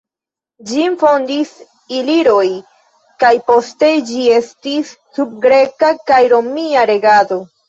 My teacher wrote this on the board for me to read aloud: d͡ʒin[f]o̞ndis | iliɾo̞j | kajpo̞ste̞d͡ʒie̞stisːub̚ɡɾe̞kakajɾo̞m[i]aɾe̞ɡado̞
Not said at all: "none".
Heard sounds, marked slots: f, i

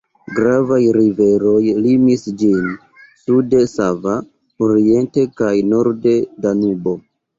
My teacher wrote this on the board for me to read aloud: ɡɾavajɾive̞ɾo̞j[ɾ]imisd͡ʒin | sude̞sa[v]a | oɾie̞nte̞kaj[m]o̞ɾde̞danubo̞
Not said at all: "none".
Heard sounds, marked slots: l, v, n

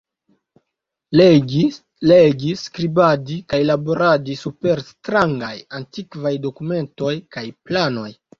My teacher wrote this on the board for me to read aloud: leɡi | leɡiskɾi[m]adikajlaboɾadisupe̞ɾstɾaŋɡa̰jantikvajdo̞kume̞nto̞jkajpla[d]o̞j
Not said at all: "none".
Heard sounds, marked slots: b, n

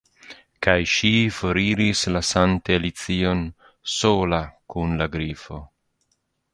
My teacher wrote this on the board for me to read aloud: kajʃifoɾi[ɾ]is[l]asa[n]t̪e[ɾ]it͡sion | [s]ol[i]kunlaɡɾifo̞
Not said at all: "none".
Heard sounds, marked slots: ɾ, l, n, l, s, a

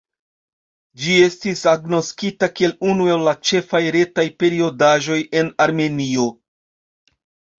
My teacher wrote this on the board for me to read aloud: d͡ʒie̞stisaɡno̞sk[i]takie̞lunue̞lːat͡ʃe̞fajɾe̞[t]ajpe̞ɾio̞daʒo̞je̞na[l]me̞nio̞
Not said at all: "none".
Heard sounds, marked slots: i, t, ɾ

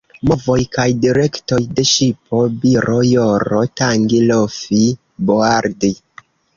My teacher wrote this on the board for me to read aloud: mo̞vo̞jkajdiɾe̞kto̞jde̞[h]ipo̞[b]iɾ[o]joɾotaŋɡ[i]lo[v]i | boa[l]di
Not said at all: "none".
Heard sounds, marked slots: ʃ, b, o, i, f, ɾ

